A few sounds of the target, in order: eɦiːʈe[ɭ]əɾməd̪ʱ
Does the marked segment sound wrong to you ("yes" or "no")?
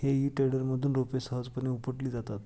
yes